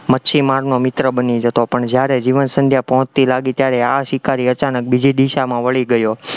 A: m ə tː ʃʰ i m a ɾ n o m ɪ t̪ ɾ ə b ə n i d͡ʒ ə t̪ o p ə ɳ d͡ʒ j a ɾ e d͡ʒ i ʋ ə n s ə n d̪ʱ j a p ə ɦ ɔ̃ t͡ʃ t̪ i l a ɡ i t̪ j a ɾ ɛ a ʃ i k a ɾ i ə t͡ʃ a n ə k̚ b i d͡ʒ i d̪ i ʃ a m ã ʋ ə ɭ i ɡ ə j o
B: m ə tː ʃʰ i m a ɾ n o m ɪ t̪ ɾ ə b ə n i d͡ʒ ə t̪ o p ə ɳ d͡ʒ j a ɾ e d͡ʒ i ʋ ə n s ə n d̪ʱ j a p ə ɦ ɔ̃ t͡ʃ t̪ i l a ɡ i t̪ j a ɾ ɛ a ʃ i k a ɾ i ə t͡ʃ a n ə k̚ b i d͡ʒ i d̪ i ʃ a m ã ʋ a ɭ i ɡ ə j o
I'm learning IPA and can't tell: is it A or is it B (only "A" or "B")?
A